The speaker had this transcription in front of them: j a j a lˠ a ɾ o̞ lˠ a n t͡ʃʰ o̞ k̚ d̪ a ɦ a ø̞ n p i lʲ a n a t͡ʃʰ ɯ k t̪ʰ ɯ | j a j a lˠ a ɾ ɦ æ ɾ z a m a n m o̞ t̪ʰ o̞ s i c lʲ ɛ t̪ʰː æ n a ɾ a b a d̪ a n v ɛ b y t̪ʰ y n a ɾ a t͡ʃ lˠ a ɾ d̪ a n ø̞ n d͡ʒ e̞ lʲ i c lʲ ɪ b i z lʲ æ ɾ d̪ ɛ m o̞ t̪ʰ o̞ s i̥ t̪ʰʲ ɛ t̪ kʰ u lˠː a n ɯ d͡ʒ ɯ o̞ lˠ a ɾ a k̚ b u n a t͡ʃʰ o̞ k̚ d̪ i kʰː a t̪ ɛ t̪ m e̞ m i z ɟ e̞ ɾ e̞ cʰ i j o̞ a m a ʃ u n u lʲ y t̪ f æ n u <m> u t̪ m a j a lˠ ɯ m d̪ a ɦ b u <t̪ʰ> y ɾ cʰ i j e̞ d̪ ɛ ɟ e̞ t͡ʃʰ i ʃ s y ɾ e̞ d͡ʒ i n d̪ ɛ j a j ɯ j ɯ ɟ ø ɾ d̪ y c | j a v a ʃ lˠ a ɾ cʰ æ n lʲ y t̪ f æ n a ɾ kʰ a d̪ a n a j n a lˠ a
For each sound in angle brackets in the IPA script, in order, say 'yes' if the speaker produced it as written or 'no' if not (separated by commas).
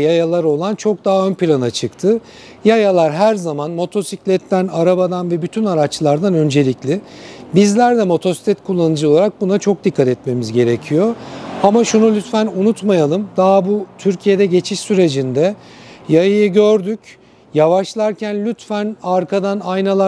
no, yes